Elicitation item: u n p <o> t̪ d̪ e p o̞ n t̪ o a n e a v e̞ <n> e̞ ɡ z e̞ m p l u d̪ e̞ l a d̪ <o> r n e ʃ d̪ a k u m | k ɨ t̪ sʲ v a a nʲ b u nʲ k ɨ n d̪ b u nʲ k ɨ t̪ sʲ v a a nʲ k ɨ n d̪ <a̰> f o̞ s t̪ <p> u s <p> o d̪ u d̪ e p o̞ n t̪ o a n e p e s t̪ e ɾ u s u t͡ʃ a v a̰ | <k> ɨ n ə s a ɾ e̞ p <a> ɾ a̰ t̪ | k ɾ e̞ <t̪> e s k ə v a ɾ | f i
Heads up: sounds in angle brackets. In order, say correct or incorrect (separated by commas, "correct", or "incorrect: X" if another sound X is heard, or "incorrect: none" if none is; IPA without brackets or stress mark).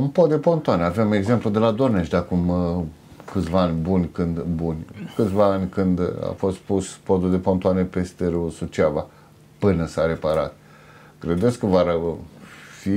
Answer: correct, incorrect: m, correct, correct, correct, correct, incorrect: p, correct, incorrect: d̪